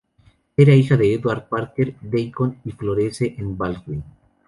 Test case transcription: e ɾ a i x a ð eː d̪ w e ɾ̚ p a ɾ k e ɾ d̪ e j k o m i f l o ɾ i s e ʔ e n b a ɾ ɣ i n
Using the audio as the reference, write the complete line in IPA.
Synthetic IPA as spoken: e ɾ a i x a ð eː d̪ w a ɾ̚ p a ɾ k e ɾ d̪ e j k o n i f l o ɾ e s e ʔ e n b a l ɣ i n